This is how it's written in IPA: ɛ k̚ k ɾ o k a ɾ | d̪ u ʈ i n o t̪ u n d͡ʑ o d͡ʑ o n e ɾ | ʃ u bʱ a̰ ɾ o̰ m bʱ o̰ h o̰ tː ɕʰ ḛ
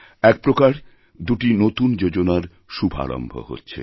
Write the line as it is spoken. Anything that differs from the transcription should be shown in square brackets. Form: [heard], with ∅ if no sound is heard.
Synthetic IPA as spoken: ɛ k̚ [p] ɾ o k a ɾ | d̪ u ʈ i n o t̪ u n d͡ʑ o d͡ʑ o n [a] ɾ | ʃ u bʱ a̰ ɾ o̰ m bʱ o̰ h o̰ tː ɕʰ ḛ

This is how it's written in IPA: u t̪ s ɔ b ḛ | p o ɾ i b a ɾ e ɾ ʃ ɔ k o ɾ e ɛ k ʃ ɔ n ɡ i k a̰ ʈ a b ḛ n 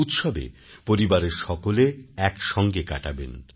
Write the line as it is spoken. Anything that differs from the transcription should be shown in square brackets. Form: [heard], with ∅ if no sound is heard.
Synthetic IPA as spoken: u t̪ [ʃ] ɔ b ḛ | p o ɾ i b a ɾ e ɾ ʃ ɔ k o [l] e ɛ k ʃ ɔ [ŋ] ɡ [e] k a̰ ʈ a b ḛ n

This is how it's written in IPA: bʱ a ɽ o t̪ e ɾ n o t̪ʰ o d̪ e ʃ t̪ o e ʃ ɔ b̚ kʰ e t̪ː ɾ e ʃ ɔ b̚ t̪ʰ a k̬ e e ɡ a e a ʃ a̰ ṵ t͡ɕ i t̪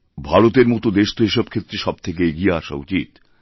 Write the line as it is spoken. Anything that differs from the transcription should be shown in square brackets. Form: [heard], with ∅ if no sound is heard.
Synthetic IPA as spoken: bʱ a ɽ o t̪ e ɾ [m] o [t̪] o d̪ e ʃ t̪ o e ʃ ɔ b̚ kʰ e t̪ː ɾ e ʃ ɔ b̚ t̪ʰ [e] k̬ e e ɡ [i] e a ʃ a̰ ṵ t͡ɕ i t̪

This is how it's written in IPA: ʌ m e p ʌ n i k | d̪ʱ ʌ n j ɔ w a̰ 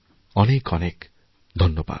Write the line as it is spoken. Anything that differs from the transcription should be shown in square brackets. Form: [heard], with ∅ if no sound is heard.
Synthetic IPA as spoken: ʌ [n] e [k] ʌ n [e] k | d̪ʱ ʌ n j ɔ [b] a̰

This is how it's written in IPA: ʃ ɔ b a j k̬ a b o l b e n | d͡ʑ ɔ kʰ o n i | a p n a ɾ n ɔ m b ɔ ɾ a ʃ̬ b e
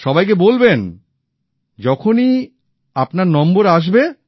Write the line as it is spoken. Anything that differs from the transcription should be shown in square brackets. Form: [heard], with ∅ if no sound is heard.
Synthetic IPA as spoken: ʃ ɔ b a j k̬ [e] b o l b e n | d͡ʑ ɔ kʰ o n i | a p n a ɾ n ɔ m b [o] ɾ a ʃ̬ b e

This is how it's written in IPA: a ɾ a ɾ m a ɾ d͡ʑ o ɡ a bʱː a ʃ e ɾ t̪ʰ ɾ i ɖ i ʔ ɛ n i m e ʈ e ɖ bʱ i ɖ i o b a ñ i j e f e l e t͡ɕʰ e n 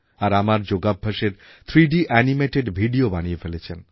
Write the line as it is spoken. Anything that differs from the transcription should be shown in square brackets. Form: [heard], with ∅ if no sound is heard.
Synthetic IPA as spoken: a ɾ a [∅] m a ɾ d͡ʑ o ɡ a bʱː a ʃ e ɾ t̪ʰ ɾ i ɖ i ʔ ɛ n i m e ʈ e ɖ bʱ i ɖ i o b a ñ i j e f e l e t͡ɕʰ e n

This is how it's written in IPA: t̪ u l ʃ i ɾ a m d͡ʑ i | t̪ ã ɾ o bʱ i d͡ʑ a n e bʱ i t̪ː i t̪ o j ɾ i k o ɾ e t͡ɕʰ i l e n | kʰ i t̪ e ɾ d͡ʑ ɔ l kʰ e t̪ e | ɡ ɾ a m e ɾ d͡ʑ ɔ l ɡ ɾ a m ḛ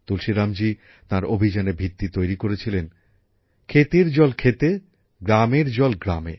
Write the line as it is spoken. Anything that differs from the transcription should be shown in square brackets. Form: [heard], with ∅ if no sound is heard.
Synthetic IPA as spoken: t̪ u l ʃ i ɾ a m d͡ʑ i | t̪ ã ɾ o bʱ i d͡ʑ a n e bʱ i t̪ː i t̪ o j ɾ i k o ɾ e t͡ɕʰ i l e n | kʰ [e] t̪ e ɾ d͡ʑ ɔ l kʰ e t̪ e | ɡ ɾ a m e ɾ d͡ʑ ɔ l ɡ ɾ a m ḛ

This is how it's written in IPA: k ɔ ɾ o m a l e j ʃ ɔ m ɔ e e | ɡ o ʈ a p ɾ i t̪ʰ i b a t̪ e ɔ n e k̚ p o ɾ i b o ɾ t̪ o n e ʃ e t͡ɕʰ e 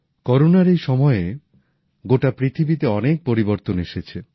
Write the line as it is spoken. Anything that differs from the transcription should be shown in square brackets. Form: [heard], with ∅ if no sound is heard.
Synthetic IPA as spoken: k ɔ ɾ o [n] a [ɾ] e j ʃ ɔ m ɔ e e | ɡ o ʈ a p ɾ i t̪ʰ i b [i] t̪ e ɔ n e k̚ p o ɾ i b o ɾ t̪ o n e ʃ e t͡ɕʰ e

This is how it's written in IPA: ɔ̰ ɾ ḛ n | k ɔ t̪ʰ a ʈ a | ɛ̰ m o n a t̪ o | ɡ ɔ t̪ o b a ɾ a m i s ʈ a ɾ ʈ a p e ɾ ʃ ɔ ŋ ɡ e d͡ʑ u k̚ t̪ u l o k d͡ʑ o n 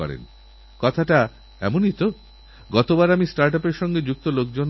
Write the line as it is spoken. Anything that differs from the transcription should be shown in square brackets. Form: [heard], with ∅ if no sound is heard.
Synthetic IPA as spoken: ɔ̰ ɾ ḛ n | k ɔ t̪ʰ a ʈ a | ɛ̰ m o n [i] t̪ o | ɡ ɔ t̪ o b a ɾ a m i s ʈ a ɾ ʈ a p e ɾ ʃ ɔ ŋ ɡ e d͡ʑ u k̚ t̪ [o] l o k d͡ʑ o n

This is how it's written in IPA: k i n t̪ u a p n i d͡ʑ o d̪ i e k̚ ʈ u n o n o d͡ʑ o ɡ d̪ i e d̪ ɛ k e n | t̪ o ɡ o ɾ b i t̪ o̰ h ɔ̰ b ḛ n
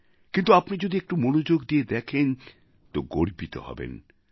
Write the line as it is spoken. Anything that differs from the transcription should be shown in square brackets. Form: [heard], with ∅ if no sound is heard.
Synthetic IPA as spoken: k i n t̪ u a p n i d͡ʑ o d̪ i e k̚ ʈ u [m] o n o d͡ʑ o ɡ d̪ i e d̪ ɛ [kʰ] e n | t̪ o ɡ o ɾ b i t̪ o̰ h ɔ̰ b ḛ n

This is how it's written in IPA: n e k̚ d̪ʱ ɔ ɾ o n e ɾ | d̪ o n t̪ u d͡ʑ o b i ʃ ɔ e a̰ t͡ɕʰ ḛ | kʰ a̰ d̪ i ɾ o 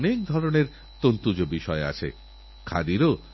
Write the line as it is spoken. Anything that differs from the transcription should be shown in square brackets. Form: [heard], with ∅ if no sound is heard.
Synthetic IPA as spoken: n e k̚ d̪ʱ ɔ ɾ o n e ɾ | [t̪] o n t̪ u d͡ʑ o b i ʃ ɔ e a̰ t͡ɕʰ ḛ | kʰ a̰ d̪ i ɾ o

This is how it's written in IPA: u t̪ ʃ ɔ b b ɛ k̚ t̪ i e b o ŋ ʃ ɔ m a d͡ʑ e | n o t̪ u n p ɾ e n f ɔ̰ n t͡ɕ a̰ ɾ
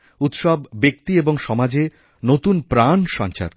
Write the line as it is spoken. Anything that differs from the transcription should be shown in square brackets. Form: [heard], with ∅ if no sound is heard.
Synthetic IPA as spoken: u t̪ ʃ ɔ b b [e] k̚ t̪ i e b o ŋ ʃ ɔ m a d͡ʑ e | n o t̪ u n p ɾ [a] n [ʃ] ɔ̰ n t͡ɕ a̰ ɾ

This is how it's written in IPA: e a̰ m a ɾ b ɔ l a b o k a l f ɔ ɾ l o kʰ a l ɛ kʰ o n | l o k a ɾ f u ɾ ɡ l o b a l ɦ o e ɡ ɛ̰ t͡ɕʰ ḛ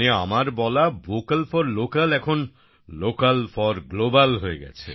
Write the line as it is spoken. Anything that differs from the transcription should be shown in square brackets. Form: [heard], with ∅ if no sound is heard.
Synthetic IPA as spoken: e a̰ m a ɾ b ɔ l a b o k a l f ɔ ɾ l o [k] a l ɛ kʰ o n | l o k a [l] f [ɔ] ɾ ɡ l o b a l ɦ o e ɡ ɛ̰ t͡ɕʰ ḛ

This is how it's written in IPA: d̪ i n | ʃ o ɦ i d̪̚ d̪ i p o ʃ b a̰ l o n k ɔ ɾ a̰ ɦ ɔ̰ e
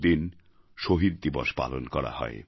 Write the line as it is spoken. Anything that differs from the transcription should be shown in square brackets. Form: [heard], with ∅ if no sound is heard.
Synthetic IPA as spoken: d̪ i n | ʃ o ɦ i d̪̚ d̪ i [b] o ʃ [p] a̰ l o n k ɔ ɾ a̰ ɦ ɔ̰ e

